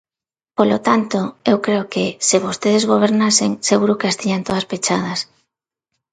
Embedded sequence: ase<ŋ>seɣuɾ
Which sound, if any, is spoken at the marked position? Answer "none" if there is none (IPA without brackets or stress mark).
ŋ